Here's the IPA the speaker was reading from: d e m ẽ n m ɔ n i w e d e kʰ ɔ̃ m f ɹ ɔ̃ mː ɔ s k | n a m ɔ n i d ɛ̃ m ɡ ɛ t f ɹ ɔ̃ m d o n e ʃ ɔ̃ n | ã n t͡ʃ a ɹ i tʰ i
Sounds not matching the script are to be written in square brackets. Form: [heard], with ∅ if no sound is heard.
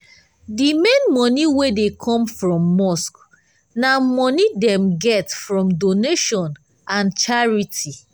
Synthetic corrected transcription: d [i] m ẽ n m ɔ n i w e d e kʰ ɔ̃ m f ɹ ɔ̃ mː ɔ s k | n a m ɔ n i d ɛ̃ m ɡ ɛ t f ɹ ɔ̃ m d o n e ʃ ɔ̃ n | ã n t͡ʃ a ɹ i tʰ i